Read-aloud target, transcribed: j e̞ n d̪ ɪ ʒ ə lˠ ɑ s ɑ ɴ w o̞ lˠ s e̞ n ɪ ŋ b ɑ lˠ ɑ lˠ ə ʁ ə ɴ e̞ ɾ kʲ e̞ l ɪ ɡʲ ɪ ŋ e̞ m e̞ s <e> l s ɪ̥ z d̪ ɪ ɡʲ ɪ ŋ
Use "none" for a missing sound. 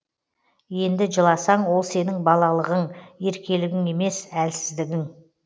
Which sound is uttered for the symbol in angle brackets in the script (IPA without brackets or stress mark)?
æ